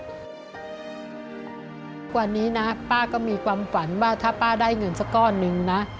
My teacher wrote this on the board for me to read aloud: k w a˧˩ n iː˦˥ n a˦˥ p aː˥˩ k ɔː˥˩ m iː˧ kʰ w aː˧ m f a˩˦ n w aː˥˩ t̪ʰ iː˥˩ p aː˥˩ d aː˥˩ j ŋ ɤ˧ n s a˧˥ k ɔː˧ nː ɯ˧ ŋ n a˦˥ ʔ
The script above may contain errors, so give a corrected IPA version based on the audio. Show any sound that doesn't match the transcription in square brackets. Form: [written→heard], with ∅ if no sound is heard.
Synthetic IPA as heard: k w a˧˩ n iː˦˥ n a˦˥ p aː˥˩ k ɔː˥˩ m iː˧ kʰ w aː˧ m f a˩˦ n w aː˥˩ t̪ʰ [iː˥˩→aː˥˩] p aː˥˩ d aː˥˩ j ŋ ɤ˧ n s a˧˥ k [ɔː˧→ɔː˥˩] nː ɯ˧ ŋ n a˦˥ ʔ